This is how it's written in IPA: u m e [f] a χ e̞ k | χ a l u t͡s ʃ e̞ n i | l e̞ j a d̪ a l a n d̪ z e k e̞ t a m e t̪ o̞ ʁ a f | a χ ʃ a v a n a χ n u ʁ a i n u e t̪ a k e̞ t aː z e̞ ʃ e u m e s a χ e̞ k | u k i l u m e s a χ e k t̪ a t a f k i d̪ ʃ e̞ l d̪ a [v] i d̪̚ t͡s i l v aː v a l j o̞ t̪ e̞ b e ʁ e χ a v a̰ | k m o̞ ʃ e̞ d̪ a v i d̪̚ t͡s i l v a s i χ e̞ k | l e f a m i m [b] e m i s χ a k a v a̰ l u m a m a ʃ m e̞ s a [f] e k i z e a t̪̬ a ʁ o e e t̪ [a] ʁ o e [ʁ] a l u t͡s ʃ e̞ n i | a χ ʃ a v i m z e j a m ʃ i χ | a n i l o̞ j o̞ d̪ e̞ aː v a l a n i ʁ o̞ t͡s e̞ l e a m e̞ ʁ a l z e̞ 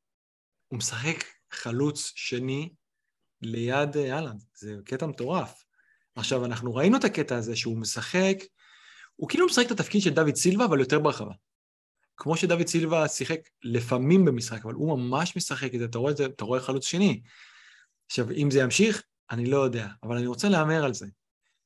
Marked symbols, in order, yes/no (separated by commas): no, yes, yes, no, yes, no